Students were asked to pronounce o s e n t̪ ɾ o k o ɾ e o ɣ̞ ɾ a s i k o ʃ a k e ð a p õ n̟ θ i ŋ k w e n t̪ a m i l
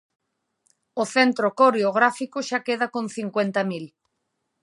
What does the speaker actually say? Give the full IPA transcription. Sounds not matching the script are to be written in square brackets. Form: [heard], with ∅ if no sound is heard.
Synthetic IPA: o [θ] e n t̪ ɾ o k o ɾ e o ɣ̞ ɾ a [f] i k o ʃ a k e ð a [k] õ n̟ θ i ŋ k w e n t̪ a m i l

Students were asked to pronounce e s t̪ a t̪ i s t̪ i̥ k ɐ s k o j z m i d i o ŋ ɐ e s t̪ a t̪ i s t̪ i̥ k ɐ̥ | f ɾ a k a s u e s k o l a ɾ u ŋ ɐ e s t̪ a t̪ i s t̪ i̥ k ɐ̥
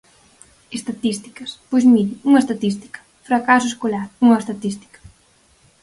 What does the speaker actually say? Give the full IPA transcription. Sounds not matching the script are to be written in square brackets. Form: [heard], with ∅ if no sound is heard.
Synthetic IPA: e s t̪ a t̪ i s t̪ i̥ k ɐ s [p] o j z m i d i [u] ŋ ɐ e s t̪ a t̪ i s t̪ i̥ k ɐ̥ | f ɾ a k a s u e s k o l a ɾ u ŋ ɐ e s t̪ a t̪ i s t̪ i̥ k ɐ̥

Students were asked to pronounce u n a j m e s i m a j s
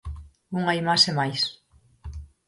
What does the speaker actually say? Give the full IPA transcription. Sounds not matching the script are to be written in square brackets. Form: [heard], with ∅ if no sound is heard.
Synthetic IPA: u [ŋ] a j m [a] s [e] m a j s

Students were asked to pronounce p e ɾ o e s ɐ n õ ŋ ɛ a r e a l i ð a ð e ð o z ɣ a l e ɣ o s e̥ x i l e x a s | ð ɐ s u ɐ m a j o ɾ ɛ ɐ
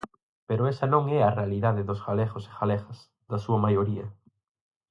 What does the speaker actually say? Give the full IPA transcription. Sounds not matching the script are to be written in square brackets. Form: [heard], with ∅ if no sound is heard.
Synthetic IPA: p e ɾ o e s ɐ n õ ŋ ɛ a r e a l i ð a ð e ð o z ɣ a l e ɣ o s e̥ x [a] l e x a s | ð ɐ s u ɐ m a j o ɾ [i] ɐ

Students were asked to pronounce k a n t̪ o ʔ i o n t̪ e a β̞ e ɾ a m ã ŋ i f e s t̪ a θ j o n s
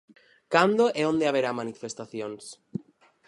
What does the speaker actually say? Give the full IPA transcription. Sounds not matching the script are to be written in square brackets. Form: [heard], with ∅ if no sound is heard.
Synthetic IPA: k a n [d̪] o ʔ [e] o n [d̪] e a β̞ e ɾ a m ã [n] i f e s t̪ a θ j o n s

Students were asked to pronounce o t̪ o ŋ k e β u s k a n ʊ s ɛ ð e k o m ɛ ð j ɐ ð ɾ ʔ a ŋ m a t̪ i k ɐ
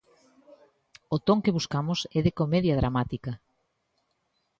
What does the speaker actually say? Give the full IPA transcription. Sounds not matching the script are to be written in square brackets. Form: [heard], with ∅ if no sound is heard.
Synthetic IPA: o t̪ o ŋ k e β u s k a [m] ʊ s ɛ ð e k o m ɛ ð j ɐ ð ɾ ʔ a [∅] m a t̪ i k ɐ

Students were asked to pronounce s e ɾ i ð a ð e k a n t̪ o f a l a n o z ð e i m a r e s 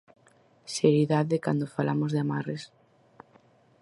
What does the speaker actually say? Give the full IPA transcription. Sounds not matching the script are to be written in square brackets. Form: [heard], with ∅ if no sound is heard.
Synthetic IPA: s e ɾ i ð a ð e k a n [d̪] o f a l a [m] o z ð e [a] m a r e s

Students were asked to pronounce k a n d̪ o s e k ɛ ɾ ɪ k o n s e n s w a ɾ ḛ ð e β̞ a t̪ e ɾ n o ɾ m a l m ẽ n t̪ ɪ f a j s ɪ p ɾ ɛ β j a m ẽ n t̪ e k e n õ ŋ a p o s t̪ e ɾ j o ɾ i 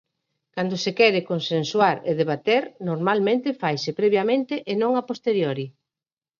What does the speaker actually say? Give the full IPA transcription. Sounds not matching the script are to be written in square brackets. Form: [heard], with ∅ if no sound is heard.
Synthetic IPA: k a n d̪ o s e k ɛ ɾ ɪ k o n s e n s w a ɾ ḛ ð e β̞ a t̪ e ɾ n o ɾ m a l m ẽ n t̪ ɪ f a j s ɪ p ɾ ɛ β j a m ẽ n t̪ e [ʔ] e n õ ŋ a p o s t̪ e ɾ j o ɾ i

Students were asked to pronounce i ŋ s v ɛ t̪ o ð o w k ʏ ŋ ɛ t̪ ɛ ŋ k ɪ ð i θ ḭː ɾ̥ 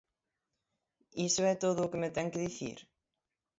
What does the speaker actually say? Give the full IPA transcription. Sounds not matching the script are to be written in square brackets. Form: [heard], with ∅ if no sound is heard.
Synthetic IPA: i [∅] s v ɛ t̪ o ð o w k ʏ [m] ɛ t̪ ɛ ŋ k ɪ ð i θ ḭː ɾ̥

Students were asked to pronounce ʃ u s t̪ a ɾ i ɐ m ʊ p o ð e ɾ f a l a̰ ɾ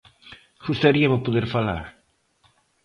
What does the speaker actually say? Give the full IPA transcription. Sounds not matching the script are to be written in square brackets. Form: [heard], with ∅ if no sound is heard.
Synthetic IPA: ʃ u s t̪ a ɾ i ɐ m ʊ p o ð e ɾ f a l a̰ ɾ

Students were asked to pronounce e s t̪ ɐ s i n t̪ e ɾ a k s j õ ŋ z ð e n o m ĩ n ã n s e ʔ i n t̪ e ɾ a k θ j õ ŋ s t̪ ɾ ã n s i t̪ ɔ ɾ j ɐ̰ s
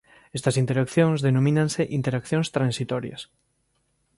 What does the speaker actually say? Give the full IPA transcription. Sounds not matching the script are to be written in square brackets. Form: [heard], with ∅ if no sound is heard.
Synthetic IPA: e s t̪ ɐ s i n t̪ e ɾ a k [θ] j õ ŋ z ð e n o m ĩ n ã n s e ʔ i n t̪ e ɾ a k θ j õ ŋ s t̪ ɾ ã n s i t̪ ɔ ɾ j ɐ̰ s

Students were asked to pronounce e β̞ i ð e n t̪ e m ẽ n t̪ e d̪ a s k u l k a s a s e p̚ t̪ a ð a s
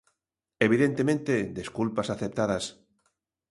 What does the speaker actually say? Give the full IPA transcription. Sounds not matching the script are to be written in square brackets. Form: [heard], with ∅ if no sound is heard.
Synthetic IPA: e β̞ i ð e n t̪ e m ẽ n t̪ e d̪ [e] s k u l [p] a s a [θ] e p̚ t̪ a ð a s

